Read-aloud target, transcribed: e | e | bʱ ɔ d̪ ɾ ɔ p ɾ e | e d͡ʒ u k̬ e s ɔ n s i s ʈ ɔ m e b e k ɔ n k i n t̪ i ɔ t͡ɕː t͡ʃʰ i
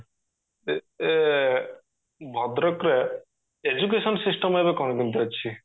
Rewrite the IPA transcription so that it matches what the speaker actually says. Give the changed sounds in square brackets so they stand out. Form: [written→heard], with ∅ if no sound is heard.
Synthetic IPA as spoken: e | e | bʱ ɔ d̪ ɾ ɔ [p→k] ɾ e | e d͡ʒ u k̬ e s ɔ n s i s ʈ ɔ m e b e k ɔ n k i n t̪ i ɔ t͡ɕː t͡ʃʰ i